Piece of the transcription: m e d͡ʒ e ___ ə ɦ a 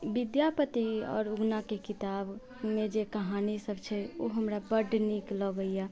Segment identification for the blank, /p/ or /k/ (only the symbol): k